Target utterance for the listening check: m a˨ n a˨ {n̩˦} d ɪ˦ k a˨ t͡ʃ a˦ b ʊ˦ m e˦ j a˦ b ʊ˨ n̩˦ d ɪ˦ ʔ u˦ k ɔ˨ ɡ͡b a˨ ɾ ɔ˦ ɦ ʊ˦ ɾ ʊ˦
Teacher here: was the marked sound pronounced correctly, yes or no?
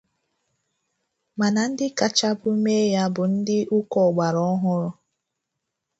yes